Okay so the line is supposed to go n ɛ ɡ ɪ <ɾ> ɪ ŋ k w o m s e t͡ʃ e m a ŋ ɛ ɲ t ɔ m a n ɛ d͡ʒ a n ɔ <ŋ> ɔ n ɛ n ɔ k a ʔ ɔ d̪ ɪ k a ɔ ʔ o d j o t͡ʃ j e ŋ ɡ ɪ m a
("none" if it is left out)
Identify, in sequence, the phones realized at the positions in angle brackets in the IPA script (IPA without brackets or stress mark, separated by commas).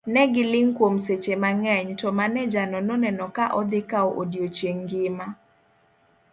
l, n